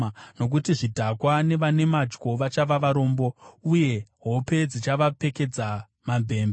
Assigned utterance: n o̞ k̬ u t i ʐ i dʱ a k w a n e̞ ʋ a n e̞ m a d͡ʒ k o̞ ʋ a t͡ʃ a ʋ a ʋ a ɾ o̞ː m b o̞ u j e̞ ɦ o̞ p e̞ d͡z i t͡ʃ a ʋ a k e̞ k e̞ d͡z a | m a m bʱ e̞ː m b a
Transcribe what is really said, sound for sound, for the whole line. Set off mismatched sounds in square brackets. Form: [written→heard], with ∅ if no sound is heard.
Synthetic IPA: n o̞ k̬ u t i ʐ i dʱ a k w a n e̞ ʋ a n e̞ m a d͡ʒ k o̞ ʋ a t͡ʃ a ʋ a ʋ a ɾ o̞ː m b o̞ u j e̞ ɦ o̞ p e̞ d͡z i t͡ʃ a ʋ a [k→p] e̞ k e̞ d͡z a | m a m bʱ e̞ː m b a

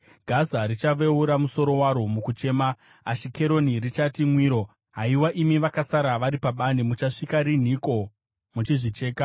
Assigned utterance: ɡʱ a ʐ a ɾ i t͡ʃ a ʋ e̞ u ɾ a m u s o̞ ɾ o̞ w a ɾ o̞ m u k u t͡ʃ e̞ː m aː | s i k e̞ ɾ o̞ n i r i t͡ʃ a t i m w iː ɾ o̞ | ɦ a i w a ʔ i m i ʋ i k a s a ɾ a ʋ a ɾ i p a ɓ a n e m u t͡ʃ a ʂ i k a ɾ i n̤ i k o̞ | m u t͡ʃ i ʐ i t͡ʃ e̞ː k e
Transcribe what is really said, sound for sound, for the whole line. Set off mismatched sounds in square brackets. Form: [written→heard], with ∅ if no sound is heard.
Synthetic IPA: ɡʱ a [ʐ→z] a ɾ i t͡ʃ a ʋ e̞ u ɾ a m u s o̞ ɾ o̞ w a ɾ o̞ m u k u t͡ʃ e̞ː m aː | [s→ʃ] i k e̞ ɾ o̞ n i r i t͡ʃ a t i m w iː ɾ o̞ | ɦ a i w a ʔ i m i ʋ [i→a] k a s a ɾ a ʋ a ɾ i p a ɓ a n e m u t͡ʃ a ʂ i k a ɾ i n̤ i k o̞ | m u t͡ʃ i ʐ i t͡ʃ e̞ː k [e→a]

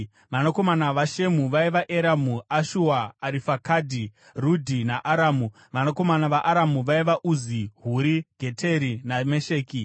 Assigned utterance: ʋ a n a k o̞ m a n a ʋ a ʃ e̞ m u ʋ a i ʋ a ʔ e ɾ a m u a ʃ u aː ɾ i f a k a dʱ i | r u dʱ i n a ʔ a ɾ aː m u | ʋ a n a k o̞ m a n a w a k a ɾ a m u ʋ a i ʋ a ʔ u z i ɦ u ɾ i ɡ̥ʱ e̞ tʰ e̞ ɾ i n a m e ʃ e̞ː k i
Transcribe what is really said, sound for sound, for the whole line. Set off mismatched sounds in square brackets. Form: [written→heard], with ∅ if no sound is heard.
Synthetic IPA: ʋ a n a k o̞ m a n a ʋ a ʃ e̞ m u ʋ a i ʋ a ʔ e ɾ a m u a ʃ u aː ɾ i f a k a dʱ i | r u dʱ i n a ʔ a ɾ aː m u | ʋ a n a k o̞ m a n a [w→ʋ] a [k→ʔ] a ɾ a m u ʋ a i ʋ a ʔ u z i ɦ u ɾ i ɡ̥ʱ e̞ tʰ e̞ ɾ i n a m e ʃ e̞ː k i

